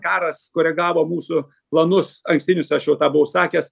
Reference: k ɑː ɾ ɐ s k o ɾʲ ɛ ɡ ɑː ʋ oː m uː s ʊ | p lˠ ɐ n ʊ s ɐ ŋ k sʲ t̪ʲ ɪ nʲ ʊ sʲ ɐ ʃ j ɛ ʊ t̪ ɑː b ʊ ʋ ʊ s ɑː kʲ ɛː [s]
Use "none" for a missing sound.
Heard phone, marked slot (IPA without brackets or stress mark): s